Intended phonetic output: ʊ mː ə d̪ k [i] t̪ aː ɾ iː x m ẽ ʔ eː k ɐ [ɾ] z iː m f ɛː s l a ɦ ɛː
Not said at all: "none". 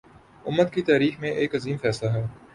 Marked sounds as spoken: i, none

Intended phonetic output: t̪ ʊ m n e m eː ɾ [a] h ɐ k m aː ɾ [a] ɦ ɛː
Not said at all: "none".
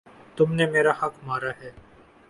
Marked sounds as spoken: a, a

